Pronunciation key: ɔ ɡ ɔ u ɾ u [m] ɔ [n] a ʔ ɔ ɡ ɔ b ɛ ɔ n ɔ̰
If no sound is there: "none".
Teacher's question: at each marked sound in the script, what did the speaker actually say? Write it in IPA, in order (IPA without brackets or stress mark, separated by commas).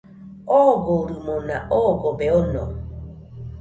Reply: m, n